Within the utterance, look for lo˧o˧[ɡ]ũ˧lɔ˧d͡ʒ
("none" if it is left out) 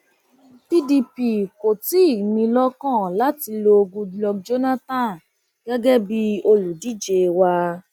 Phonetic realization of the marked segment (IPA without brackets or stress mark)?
ɡ